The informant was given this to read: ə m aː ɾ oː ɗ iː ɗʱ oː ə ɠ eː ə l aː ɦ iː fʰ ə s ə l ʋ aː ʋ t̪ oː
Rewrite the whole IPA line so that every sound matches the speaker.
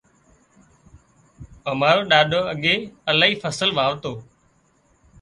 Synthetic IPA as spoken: ə m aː ɾ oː ɗ aː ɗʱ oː ə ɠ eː ə l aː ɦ iː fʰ ə s ə l ʋ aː ʋ t̪ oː